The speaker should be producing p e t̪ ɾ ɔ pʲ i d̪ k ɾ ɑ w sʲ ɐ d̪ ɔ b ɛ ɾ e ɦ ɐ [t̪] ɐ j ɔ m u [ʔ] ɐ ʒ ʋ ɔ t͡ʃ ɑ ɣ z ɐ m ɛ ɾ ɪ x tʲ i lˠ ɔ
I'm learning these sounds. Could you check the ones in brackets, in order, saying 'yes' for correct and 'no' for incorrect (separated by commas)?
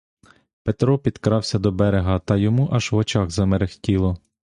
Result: yes, yes